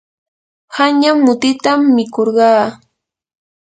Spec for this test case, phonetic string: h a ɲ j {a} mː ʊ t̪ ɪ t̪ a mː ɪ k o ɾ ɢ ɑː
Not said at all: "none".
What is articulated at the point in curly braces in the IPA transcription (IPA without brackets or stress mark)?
a